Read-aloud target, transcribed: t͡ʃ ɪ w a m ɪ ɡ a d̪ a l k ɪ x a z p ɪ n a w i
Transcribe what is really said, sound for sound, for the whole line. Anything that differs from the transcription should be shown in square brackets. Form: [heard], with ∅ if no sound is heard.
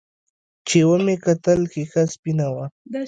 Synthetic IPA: t͡ʃ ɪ w a m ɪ [k] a [t̪] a l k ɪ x a [s] p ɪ n a w [a]